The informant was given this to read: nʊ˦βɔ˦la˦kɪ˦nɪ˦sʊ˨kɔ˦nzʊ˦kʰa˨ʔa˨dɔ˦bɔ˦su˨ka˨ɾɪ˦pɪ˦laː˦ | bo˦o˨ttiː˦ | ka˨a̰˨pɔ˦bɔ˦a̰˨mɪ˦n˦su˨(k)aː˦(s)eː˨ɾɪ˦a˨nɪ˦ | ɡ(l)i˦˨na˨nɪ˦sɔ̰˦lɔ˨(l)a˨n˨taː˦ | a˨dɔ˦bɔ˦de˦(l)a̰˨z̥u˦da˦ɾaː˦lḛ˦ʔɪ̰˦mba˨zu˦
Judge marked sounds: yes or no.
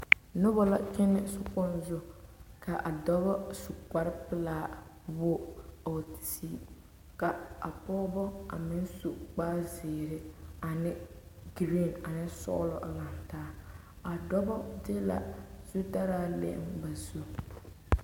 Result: no, no, no, yes, yes

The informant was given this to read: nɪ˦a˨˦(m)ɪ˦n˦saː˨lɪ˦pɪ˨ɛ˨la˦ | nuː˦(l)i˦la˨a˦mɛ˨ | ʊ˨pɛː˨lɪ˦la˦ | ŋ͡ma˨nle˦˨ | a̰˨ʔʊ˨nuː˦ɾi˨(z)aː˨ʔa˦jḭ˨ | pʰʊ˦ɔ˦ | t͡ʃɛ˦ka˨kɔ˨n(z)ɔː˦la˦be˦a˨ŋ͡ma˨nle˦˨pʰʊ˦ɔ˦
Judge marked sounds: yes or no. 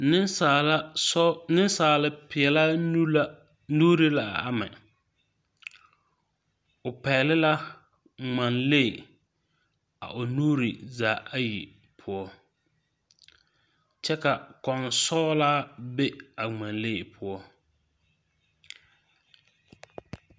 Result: no, no, yes, no

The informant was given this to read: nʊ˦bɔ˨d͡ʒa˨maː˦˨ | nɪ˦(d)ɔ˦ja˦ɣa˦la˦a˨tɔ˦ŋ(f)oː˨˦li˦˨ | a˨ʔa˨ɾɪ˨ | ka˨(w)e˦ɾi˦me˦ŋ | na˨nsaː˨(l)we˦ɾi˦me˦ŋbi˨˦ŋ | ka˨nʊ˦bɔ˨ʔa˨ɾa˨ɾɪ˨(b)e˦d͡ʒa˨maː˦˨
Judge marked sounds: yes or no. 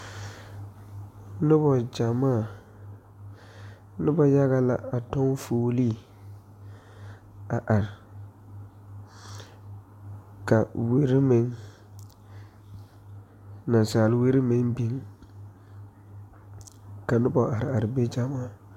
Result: no, yes, yes, yes, yes

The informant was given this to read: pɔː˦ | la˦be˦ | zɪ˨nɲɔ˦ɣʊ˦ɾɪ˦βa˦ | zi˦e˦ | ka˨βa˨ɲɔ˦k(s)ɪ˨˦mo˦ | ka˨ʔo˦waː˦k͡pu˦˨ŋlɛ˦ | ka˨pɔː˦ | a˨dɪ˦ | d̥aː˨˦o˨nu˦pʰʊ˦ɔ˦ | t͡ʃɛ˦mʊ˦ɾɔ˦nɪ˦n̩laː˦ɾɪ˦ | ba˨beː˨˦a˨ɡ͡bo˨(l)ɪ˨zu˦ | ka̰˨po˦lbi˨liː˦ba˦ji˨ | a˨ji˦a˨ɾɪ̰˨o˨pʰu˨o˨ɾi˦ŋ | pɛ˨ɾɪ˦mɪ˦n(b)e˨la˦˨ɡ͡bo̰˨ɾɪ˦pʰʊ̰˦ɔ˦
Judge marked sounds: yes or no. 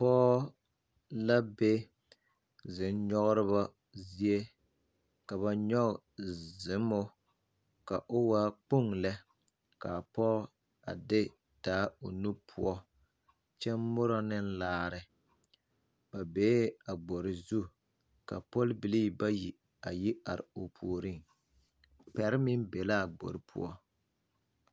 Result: no, no, yes

